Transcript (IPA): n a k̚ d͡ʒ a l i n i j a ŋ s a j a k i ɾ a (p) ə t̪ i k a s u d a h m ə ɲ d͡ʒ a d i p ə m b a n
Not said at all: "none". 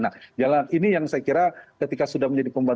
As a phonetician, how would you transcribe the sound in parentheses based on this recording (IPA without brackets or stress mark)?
k